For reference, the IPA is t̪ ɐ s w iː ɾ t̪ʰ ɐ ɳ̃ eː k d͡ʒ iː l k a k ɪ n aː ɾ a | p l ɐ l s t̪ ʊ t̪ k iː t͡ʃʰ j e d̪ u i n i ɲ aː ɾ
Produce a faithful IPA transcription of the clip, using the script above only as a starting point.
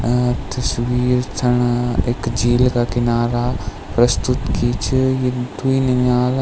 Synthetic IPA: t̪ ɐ s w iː ɾ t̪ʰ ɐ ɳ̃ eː k d͡ʒ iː l k a k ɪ n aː ɾ a | p ɾ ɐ s t̪ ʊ t̪ k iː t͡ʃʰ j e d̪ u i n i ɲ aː l

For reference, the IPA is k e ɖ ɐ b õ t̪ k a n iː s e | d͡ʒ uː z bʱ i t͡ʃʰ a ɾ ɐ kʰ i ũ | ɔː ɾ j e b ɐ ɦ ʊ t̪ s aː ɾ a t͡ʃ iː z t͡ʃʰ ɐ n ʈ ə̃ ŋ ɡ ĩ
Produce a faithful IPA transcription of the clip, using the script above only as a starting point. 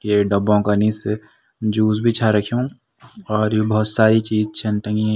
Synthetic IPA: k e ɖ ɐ b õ k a n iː s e | d͡ʒ uː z bʱ i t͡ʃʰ a ɾ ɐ kʰ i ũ | ɔː ɾ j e b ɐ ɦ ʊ t̪ s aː ɾ i t͡ʃ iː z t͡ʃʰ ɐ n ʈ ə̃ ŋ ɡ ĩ

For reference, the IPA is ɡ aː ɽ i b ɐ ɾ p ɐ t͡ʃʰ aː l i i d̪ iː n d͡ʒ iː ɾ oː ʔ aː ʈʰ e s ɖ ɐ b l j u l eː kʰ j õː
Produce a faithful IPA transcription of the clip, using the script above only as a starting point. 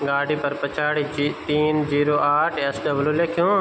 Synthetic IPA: ɡ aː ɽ i p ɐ ɾ p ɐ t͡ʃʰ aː ɽ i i t̪ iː n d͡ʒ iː ɾ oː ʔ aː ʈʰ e s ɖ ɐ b l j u l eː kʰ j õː

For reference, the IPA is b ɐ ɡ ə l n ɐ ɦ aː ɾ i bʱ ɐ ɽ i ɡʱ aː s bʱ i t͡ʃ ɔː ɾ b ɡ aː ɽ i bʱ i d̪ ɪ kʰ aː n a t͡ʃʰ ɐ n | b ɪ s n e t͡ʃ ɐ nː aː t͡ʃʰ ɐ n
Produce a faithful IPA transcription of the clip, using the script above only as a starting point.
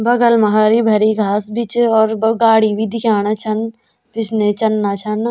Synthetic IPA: b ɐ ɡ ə l m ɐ ɦ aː ɾ i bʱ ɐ ɾ i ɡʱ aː s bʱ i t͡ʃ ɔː ɾ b ɡ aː ɽ i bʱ i d̪ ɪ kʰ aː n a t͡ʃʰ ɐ n | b ɪ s n e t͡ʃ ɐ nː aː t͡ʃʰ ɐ n

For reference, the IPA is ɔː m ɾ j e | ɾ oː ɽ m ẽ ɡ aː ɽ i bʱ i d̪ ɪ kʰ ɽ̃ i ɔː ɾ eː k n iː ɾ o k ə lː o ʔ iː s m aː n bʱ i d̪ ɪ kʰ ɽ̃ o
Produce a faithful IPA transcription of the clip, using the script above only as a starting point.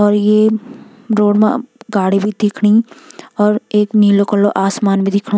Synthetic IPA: ɔː ɾ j e | ɾ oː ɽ m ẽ ɡ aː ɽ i bʱ i d̪ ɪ kʰ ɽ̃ i ɔː ɾ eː k n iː l o k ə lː o ʔ aː s m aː n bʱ i d̪ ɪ kʰ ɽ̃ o

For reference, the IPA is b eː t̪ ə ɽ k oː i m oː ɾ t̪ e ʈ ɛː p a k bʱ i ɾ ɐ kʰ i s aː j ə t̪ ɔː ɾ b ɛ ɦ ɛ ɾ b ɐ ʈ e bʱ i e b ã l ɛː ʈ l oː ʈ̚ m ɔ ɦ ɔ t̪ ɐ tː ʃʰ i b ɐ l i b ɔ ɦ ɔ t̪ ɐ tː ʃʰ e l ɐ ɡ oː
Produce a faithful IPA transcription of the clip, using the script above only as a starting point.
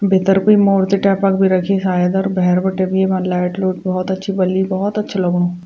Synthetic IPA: b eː t̪ ə ɾ k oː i m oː ɾ t̪ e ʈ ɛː p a k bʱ i ɾ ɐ kʰ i s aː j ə d̪ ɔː ɾ b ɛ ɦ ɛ ɾ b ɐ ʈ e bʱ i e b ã l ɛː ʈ l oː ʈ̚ b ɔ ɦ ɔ t̪ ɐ tː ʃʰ i b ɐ l i b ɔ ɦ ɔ t̪ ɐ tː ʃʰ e l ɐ ɡ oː

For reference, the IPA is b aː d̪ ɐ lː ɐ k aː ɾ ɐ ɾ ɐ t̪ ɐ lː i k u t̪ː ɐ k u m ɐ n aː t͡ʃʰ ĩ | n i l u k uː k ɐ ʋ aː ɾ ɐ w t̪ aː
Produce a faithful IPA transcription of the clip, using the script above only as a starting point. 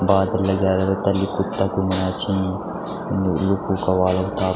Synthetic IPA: b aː d̪ ɐ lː ɐ ɡ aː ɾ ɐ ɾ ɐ t̪ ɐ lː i k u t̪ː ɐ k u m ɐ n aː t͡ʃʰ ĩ | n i l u k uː k ɐ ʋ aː l ɐ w t̪ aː

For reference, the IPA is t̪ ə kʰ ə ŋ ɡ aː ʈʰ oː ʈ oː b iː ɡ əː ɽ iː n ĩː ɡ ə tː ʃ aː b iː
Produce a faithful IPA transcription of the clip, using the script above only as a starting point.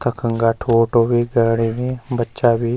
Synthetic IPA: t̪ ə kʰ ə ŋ ɡ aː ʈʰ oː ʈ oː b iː ɡ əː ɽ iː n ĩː b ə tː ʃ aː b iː

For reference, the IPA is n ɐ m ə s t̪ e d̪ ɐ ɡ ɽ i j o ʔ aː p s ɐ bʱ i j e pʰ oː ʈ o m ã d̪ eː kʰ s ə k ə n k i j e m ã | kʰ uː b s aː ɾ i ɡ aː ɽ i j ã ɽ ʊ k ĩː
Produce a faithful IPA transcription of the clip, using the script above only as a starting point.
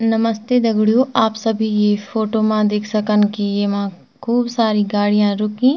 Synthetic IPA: n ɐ m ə s t̪ e d̪ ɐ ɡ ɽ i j o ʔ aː p s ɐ bʱ i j e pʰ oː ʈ o m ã d̪ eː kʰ s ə k ə n k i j e m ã | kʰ uː b s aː ɾ i ɡ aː ɽ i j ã ɾ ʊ k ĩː

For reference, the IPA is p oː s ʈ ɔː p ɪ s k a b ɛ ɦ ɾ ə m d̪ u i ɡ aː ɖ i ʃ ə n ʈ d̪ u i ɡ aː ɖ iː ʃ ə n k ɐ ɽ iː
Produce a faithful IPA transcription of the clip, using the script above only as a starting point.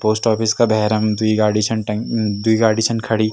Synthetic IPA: p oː s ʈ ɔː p ɪ s k a b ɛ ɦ ɾ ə m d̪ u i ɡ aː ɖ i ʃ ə n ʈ d̪ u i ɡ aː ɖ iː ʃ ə n kʰ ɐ ɽ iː

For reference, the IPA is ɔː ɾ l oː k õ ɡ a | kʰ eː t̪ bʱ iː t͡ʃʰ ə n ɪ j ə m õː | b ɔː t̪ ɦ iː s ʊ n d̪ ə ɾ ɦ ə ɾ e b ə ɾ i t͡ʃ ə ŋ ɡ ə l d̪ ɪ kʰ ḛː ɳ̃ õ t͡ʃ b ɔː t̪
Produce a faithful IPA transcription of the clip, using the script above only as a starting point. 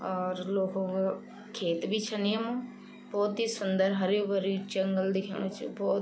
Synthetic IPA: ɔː ɾ l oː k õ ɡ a | kʰ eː t̪ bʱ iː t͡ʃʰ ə n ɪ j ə m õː | b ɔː t̪ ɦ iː s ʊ n d̪ ə ɾ ɦ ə ɾ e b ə ɾ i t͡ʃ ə ŋ ɡ ə l d̪ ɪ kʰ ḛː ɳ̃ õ t͡ʃ b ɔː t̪

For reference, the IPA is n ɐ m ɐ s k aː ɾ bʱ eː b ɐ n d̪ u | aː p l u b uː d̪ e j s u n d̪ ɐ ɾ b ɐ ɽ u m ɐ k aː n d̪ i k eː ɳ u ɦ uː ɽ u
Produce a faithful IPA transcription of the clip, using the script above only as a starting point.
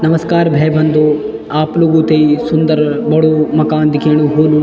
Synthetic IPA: n ɐ m ɐ s k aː ɾ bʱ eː b ɐ n d̪ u | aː p l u ɡ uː t̪ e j s u n d̪ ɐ ɾ b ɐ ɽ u m ɐ k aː n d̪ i k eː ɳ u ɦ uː l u

